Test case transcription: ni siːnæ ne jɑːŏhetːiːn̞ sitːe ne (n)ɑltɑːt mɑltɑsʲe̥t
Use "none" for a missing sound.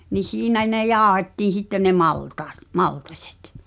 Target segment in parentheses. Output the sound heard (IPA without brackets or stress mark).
m